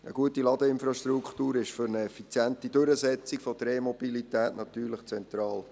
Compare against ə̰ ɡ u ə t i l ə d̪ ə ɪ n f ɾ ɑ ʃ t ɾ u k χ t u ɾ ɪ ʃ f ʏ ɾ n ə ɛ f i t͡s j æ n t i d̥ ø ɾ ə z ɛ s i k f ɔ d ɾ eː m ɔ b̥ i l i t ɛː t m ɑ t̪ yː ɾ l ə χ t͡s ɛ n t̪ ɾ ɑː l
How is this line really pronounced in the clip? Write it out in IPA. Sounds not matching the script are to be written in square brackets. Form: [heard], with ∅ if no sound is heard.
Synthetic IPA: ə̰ ɡ u ə t i l [ɑ] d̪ ə ɪ n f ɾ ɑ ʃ t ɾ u k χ t [uː] ɾ ɪ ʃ f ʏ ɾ n ə ɛ f i t͡s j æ n t i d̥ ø ɾ ə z ɛ [t͡s] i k f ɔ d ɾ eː m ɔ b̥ i l i t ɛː t [n] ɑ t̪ yː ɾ l ə χ t͡s ɛ n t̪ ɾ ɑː l